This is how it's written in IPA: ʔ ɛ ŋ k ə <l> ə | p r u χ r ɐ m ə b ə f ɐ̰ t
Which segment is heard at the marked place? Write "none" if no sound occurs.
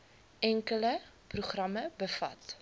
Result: l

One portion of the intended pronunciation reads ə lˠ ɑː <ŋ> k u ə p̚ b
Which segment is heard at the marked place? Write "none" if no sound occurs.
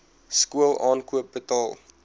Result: n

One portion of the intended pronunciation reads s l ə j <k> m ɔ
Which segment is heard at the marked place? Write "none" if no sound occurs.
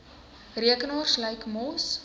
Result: k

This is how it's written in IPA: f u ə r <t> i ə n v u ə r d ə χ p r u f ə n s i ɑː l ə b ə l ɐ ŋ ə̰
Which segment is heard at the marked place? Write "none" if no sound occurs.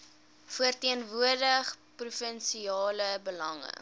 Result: t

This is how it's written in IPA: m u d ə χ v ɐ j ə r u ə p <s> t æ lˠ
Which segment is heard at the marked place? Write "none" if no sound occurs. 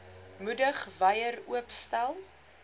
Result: s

